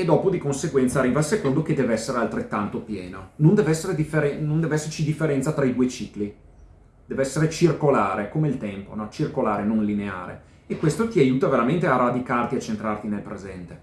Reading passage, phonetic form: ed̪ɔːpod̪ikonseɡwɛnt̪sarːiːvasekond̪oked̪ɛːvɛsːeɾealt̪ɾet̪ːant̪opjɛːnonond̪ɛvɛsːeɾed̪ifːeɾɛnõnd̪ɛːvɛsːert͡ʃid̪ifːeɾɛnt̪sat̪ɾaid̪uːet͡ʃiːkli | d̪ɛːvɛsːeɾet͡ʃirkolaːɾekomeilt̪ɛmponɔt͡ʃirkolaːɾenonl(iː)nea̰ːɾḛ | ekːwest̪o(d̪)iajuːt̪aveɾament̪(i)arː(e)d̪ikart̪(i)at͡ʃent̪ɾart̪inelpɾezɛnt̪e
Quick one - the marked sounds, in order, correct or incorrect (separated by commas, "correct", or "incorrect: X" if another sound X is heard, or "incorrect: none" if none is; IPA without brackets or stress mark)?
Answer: incorrect: i, incorrect: t̪, incorrect: e, incorrect: a, correct